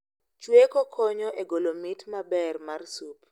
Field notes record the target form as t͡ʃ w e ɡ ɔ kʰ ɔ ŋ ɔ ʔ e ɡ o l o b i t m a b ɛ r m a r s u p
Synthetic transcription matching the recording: t͡ʃ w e k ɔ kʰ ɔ ɲ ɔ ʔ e ɡ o l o m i t m a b ɛ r m a r s u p